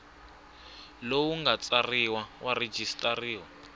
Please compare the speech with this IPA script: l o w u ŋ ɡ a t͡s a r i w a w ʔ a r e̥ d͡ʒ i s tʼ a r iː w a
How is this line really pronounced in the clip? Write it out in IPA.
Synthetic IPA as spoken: l o w u ŋ ɡ a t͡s a r i w a w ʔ a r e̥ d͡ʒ i s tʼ a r iː w a